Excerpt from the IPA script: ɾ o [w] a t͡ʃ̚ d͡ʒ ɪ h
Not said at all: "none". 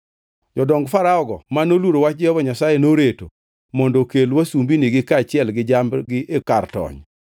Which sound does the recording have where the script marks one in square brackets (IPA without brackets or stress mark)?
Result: w